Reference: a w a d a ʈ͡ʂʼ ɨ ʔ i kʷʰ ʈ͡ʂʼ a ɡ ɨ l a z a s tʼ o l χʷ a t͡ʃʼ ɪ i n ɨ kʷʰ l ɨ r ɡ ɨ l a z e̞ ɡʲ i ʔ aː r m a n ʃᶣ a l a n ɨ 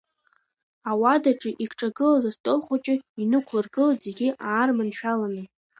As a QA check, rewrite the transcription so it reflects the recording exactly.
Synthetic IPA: a w a d a ʈ͡ʂʼ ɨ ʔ i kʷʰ ʈ͡ʂʼ a ɡ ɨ l a z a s tʼ o l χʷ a t͡ʃʼ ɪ i n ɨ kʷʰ l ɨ r ɡ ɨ l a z e̞ ɡʲ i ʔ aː r m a n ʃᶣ a l a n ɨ